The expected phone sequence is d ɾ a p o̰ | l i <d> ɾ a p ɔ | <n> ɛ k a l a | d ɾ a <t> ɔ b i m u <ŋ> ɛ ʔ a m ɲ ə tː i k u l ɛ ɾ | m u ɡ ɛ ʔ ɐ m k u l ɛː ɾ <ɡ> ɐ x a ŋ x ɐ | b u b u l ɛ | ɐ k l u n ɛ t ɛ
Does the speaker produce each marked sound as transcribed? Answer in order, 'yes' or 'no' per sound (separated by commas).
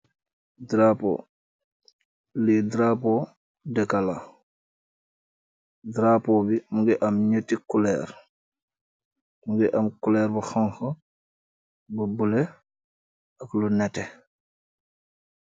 yes, no, no, no, no